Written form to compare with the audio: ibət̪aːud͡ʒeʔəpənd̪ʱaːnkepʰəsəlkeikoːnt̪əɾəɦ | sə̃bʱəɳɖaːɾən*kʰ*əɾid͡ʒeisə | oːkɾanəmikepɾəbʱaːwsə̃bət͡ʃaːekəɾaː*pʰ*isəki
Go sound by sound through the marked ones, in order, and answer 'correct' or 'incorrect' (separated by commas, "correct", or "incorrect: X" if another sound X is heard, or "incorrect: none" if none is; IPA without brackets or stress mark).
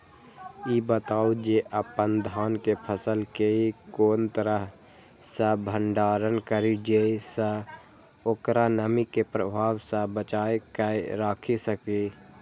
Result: incorrect: k, incorrect: kʰ